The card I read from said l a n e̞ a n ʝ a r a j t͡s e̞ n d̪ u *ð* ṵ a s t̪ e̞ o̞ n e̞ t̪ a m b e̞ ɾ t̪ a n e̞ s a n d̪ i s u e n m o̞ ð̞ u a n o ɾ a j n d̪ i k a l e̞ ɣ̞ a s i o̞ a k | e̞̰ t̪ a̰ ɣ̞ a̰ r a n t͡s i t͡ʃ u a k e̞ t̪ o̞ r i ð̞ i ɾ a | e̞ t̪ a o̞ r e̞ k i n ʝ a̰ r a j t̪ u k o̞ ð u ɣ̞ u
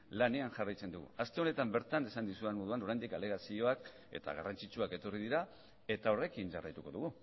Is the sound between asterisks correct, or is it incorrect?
incorrect